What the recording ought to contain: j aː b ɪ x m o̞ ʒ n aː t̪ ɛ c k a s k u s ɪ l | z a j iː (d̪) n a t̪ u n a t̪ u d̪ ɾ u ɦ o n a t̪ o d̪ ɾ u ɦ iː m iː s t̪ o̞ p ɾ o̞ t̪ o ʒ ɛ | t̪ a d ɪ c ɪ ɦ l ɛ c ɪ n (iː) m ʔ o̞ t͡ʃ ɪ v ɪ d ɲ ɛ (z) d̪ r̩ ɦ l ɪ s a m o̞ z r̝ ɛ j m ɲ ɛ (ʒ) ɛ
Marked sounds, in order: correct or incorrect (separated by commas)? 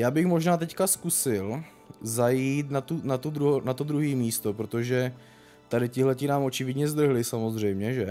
incorrect, incorrect, correct, correct